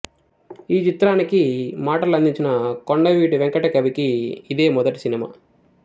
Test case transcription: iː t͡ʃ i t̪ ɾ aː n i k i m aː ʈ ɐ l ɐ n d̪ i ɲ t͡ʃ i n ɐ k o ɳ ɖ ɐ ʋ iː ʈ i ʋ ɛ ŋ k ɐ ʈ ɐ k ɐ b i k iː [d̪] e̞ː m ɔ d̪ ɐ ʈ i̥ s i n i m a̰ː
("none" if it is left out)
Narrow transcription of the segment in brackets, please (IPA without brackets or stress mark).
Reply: d̪